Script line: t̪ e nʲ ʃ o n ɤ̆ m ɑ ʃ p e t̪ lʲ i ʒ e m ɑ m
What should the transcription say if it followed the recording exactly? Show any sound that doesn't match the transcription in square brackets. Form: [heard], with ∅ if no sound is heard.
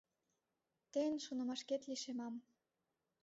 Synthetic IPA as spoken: t̪ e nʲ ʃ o n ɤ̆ m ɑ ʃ [k] e t̪ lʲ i [ʃ] e m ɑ m